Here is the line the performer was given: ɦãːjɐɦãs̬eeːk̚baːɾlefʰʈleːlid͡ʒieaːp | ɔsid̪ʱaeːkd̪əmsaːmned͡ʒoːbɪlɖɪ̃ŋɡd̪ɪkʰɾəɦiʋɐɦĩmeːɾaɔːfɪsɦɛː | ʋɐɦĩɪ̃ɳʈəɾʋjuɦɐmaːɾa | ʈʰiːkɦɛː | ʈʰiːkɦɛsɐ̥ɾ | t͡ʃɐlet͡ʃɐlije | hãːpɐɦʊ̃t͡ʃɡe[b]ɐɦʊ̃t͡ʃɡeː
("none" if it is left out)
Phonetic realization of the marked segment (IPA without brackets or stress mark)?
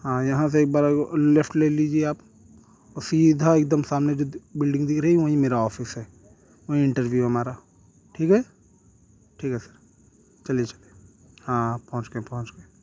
p